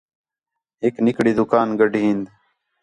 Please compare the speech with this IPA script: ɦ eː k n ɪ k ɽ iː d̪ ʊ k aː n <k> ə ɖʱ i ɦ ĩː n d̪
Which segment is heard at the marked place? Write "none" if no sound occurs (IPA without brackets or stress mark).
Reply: ɡ